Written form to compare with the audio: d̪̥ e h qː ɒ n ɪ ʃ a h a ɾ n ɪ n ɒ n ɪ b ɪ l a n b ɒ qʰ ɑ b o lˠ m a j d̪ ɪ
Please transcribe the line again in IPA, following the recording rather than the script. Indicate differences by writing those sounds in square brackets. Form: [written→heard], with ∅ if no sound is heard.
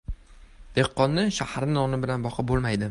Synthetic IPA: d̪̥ e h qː ɒ [n→nː] ɪ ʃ a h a ɾ n ɪ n ɒ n ɪ b ɪ l a n b ɒ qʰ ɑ b o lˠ m a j d̪ ɪ